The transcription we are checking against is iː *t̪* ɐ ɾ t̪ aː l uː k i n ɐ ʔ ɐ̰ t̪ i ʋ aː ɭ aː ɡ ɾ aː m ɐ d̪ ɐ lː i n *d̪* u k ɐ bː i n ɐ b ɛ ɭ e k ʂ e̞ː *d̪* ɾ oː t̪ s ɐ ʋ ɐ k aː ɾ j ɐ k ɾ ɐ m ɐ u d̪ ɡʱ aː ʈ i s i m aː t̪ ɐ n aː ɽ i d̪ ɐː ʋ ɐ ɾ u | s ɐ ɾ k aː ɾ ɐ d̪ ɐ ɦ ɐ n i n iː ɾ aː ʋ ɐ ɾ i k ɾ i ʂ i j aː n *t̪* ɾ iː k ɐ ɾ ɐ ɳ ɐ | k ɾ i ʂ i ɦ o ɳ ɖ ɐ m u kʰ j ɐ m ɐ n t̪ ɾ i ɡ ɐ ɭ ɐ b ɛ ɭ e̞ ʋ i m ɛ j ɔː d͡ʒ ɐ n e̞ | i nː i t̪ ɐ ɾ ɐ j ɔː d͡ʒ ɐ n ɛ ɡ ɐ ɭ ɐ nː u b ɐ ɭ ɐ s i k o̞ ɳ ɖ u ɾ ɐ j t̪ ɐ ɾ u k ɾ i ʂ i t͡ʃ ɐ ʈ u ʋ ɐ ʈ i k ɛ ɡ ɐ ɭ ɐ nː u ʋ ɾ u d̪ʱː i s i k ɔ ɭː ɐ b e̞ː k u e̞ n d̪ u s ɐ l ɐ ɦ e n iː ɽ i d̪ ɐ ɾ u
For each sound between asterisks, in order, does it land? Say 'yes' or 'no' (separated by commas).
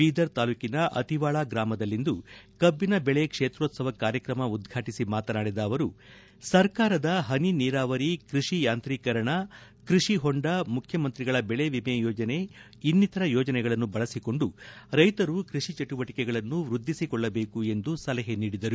no, yes, no, yes